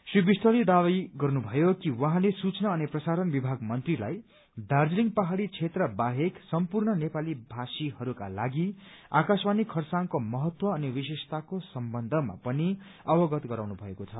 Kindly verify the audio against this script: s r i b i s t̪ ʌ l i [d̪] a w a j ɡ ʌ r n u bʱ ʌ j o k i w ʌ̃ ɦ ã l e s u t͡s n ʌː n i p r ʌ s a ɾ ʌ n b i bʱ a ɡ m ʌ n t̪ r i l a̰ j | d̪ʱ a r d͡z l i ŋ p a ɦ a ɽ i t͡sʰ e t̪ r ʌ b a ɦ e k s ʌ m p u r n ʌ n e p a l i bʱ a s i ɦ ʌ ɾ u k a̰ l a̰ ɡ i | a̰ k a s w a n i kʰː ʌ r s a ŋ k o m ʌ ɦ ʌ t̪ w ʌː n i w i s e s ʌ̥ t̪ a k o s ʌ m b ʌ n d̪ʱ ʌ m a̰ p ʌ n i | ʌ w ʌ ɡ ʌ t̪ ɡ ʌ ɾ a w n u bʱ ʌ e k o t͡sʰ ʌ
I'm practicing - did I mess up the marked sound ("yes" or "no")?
no